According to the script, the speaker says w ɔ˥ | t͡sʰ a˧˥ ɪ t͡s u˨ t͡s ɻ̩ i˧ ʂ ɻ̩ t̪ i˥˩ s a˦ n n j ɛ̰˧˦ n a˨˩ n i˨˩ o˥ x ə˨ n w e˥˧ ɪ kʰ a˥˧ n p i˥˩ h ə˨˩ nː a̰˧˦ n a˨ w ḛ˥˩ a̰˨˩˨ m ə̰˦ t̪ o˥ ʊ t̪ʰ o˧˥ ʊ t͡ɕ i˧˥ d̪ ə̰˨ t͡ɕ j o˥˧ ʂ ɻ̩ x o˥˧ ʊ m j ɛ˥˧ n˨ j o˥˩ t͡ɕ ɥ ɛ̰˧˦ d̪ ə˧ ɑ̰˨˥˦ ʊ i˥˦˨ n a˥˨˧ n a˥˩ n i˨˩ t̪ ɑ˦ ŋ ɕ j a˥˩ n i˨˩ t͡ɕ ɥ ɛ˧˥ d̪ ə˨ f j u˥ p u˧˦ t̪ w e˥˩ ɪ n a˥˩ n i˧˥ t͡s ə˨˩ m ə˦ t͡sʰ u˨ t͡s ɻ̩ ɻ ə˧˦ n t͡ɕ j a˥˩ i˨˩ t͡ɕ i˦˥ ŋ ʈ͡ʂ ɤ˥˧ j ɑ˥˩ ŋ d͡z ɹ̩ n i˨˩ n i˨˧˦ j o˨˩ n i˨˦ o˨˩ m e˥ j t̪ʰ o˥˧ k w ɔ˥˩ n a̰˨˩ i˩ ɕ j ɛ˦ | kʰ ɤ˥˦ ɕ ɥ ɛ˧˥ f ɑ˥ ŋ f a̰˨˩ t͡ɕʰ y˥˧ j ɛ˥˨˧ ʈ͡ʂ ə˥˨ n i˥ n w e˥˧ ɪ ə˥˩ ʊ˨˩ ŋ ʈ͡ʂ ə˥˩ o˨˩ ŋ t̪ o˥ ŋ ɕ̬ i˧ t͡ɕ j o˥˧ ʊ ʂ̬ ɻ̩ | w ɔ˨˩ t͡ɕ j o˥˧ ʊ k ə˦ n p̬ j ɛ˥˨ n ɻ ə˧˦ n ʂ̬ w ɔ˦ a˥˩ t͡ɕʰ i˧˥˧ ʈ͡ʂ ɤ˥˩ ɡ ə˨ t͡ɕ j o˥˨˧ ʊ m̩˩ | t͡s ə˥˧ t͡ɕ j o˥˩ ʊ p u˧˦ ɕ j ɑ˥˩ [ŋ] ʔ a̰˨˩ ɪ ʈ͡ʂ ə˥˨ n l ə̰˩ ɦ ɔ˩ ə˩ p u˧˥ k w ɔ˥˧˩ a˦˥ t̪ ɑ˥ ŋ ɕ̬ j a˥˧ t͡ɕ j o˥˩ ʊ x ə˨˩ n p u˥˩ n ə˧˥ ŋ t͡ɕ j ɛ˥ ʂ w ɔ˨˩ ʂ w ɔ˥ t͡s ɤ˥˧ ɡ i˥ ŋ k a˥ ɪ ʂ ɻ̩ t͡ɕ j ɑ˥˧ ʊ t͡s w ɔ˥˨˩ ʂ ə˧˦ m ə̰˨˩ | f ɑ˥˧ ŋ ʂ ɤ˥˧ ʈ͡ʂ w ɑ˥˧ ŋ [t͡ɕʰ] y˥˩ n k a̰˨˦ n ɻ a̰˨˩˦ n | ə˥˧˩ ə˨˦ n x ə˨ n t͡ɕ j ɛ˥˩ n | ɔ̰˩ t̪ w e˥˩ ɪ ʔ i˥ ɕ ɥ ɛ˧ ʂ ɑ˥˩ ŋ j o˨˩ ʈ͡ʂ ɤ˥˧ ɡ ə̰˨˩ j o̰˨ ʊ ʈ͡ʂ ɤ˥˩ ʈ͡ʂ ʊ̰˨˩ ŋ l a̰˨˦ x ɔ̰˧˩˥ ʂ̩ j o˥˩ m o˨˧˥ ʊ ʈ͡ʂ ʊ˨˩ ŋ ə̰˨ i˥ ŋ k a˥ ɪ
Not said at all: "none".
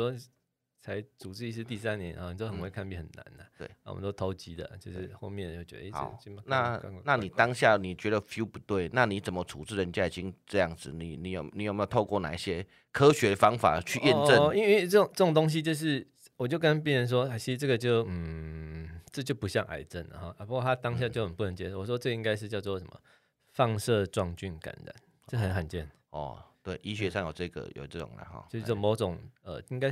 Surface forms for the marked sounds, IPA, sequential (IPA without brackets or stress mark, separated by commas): ŋ, t͡ɕ